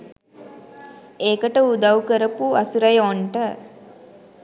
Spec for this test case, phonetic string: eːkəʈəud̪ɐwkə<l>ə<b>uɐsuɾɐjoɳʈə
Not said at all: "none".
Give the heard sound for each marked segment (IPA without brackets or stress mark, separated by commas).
ɾ, p